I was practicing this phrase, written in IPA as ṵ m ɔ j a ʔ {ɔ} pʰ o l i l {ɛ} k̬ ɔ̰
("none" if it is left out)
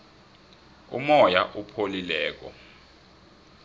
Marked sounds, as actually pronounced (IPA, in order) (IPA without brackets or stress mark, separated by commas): u, ɛː